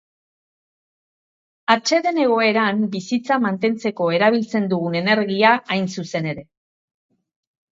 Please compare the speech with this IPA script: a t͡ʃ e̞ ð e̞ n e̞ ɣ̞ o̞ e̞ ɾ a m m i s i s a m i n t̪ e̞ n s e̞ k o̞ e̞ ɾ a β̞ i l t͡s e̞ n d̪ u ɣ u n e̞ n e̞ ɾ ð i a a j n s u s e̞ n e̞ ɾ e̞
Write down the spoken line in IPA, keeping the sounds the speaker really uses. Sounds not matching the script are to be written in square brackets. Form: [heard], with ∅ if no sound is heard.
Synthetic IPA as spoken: a t͡ʃ e̞ ð e̞ n e̞ ɣ̞ o̞ e̞ ɾ a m [b] i s i [t͡s] a m [a] n t̪ e̞ n [t͡s] e̞ k o̞ e̞ ɾ a β̞ i l t͡s e̞ n d̪ u ɣ u n e̞ n e̞ ɾ [ɣ] i a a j n s u s e̞ n e̞ ɾ e̞